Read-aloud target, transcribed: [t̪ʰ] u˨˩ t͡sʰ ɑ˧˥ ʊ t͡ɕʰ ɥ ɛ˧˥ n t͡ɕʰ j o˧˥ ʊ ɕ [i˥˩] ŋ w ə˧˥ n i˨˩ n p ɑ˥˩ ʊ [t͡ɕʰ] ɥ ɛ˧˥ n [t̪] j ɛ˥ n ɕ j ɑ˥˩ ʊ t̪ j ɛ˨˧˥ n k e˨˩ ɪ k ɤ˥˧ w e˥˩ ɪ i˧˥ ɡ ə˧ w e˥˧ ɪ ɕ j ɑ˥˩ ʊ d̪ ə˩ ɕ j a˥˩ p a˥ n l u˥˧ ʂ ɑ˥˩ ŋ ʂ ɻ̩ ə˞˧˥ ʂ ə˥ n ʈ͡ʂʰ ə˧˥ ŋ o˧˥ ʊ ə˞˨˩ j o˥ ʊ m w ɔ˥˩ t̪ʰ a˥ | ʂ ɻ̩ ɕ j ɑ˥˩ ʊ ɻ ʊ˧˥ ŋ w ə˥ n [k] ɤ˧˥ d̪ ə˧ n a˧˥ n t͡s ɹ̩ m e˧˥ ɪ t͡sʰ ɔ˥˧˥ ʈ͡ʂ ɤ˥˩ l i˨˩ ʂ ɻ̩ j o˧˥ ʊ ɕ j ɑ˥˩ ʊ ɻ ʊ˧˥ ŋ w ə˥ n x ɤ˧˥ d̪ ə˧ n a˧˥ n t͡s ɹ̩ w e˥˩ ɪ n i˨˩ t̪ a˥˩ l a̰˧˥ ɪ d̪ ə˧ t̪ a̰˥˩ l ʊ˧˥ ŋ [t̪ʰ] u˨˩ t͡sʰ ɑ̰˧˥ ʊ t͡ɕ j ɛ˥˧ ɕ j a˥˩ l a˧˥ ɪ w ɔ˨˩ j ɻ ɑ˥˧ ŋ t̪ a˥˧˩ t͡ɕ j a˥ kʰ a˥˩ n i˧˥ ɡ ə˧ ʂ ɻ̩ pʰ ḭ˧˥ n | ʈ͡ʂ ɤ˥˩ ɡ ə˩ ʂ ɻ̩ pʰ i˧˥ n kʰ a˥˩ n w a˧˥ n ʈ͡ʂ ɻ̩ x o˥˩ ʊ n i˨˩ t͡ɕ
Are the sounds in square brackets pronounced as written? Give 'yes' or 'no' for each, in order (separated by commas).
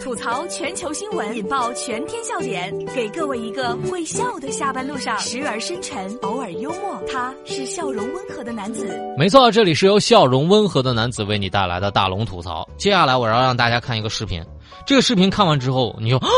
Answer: yes, no, yes, no, no, yes